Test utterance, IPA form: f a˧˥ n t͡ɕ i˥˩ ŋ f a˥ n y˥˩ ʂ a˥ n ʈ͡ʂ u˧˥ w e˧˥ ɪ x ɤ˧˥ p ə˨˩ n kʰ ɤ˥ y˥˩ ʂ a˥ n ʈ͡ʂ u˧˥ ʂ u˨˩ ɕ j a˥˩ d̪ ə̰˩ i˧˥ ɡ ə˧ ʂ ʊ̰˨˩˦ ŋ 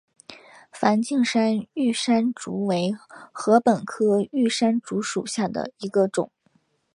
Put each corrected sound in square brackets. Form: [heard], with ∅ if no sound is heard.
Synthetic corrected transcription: f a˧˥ n t͡ɕ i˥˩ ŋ [ʂ] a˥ n y˥˩ ʂ a˥ n ʈ͡ʂ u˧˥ w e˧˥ ɪ x ɤ˧˥ p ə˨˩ n kʰ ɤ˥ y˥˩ ʂ a˥ n ʈ͡ʂ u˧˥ ʂ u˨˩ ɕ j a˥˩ d̪ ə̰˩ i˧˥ ɡ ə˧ [ʈ͡ʂ] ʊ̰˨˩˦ ŋ